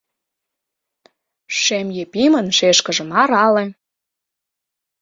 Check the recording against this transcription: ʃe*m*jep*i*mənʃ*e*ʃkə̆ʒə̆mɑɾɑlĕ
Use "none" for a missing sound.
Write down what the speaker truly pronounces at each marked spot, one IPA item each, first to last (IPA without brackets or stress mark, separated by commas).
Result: m, i, e